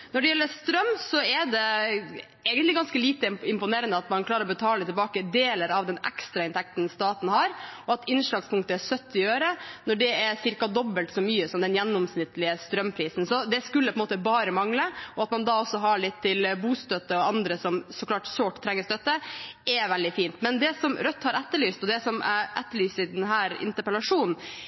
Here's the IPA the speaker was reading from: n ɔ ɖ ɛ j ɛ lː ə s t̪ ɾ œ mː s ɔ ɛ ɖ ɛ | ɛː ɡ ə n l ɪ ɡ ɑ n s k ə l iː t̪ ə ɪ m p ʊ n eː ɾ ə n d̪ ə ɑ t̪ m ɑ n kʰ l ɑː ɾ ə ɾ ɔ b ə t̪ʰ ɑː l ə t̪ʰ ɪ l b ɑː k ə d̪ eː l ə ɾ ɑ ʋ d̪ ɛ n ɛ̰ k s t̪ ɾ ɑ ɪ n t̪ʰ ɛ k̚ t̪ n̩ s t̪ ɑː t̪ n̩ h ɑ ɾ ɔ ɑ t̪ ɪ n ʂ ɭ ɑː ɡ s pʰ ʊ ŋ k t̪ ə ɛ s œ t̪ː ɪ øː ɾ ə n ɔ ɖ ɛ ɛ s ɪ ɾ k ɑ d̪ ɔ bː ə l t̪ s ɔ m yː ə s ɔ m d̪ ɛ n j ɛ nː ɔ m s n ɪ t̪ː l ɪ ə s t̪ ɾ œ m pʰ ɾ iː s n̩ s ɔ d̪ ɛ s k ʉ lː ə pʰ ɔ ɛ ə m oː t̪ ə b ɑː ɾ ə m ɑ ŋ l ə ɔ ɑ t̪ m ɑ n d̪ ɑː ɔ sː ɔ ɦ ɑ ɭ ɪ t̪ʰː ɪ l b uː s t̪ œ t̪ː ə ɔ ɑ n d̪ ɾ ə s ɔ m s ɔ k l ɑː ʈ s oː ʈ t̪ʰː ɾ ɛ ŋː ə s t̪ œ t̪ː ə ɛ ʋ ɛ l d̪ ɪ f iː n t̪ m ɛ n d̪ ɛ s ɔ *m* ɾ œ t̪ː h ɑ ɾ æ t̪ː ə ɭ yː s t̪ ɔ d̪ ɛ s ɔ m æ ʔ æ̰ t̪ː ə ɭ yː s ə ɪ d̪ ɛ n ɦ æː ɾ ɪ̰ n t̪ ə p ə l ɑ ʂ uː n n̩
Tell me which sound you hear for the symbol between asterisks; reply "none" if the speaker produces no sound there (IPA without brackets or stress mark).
m